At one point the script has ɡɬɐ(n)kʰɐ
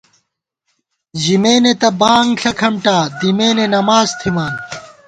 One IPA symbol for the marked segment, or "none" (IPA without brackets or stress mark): none